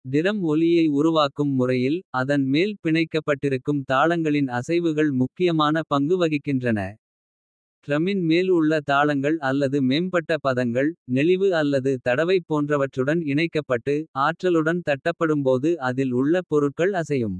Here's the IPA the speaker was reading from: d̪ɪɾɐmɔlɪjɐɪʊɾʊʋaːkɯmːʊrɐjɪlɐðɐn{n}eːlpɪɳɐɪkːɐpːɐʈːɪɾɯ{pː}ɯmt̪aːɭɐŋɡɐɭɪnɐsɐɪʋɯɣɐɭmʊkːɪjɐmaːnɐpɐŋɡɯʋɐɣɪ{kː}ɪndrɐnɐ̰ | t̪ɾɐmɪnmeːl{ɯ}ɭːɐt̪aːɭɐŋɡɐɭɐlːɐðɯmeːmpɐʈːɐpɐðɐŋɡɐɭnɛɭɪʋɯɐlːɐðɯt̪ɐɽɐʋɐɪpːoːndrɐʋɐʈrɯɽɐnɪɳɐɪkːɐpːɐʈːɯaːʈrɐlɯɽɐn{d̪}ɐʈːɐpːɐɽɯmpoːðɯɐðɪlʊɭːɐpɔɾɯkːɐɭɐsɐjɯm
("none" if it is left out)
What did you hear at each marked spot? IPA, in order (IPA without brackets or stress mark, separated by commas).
m, kː, kː, ʊ, t̪